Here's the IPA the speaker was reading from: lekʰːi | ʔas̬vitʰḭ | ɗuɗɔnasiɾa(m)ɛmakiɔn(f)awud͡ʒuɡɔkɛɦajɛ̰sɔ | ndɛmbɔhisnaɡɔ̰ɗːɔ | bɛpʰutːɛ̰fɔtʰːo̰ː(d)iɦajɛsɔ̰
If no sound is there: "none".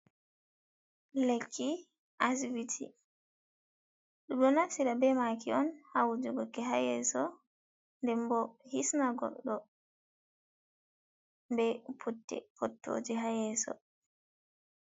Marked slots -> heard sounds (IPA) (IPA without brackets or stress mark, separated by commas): b, h, d͡ʒ